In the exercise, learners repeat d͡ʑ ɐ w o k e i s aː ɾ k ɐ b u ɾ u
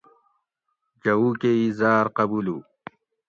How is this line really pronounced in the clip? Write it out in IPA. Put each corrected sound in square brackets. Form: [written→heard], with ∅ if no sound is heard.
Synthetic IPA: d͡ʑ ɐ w [o→u] k e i [s→z] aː ɾ [k→q] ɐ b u [ɾ→l] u